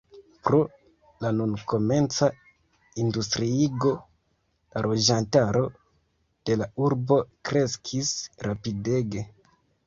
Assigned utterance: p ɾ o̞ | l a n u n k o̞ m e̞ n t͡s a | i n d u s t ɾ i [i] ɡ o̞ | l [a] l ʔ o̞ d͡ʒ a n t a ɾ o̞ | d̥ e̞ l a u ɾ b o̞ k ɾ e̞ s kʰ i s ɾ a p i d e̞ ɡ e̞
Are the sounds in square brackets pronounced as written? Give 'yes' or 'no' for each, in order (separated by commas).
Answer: yes, yes